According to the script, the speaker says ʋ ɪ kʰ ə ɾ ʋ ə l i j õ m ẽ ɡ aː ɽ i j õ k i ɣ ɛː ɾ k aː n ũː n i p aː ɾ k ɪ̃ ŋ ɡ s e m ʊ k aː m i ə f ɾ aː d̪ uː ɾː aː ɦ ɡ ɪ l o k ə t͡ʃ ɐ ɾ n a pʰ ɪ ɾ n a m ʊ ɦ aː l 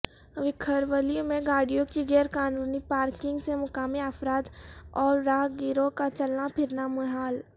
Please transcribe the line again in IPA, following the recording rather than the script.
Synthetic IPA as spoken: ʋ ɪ kʰ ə ɾ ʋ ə l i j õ m ẽ ɡ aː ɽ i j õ k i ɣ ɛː ɾ k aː n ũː n i p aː ɾ k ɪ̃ ŋ ɡ s e m ʊ k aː m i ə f ɾ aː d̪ ɔː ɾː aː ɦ ɡ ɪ ɾ o k a t͡ʃ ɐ l n a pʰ ɪ ɾ n a m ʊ ɦ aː l